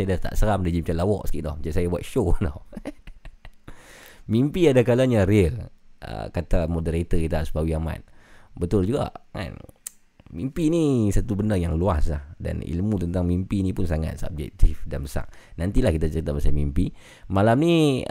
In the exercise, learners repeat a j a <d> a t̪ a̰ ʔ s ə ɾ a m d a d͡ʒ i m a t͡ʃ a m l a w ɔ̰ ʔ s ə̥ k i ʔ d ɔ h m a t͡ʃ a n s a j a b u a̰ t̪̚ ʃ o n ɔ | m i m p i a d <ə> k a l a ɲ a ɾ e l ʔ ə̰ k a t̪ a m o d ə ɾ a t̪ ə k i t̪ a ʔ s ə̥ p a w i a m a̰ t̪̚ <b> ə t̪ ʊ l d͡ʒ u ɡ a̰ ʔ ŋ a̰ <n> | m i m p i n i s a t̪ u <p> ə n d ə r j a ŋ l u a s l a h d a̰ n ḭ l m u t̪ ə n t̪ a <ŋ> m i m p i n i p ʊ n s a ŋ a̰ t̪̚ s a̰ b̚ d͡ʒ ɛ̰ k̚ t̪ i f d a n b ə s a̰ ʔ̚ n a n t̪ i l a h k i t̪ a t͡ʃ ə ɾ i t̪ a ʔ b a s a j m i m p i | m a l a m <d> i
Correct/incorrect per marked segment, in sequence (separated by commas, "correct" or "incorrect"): correct, incorrect, correct, correct, incorrect, correct, incorrect